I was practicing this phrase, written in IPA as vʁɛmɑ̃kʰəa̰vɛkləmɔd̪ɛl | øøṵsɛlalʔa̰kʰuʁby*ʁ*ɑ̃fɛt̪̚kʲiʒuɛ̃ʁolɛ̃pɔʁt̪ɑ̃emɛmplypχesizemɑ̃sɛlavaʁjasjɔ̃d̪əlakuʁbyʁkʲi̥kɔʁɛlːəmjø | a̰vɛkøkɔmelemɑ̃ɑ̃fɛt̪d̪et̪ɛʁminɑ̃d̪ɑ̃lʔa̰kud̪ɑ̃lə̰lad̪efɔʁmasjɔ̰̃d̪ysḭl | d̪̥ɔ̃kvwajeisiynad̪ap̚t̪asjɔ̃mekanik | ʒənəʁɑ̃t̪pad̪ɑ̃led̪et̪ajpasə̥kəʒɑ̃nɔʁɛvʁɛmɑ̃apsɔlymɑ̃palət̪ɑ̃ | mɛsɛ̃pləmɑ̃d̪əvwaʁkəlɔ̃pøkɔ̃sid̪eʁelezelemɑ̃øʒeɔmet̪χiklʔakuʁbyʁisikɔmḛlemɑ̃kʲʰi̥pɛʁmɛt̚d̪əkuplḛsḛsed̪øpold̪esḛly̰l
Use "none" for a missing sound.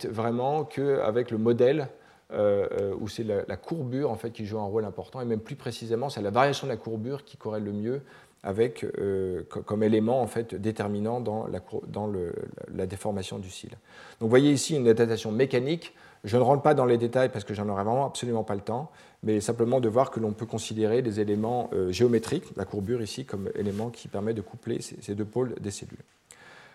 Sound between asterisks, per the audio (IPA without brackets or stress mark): ʁ